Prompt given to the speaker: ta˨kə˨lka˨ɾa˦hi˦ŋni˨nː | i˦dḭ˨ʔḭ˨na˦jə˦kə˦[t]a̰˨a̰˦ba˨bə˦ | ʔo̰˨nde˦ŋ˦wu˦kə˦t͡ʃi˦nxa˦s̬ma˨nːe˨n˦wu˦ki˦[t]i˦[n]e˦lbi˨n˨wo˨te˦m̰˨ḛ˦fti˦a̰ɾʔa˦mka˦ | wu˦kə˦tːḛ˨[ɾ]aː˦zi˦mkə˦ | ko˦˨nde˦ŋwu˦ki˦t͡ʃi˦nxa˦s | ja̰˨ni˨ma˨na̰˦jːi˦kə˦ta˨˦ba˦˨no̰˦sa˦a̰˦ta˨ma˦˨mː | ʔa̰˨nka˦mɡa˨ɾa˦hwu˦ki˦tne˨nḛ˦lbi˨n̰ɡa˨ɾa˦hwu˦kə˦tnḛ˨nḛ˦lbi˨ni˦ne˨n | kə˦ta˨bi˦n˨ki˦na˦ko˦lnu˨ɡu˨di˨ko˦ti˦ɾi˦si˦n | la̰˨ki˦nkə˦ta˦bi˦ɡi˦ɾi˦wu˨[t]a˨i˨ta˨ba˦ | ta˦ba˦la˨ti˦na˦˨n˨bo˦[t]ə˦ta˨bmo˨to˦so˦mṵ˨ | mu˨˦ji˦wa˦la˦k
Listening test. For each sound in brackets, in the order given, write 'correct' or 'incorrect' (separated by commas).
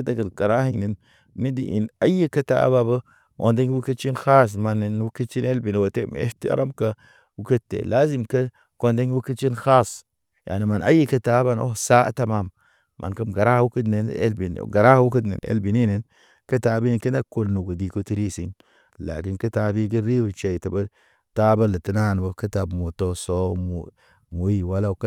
correct, incorrect, correct, incorrect, incorrect, incorrect